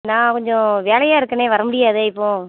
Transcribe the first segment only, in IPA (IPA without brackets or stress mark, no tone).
n